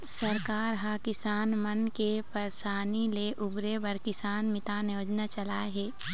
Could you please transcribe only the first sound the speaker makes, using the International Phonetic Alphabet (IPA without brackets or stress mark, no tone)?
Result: s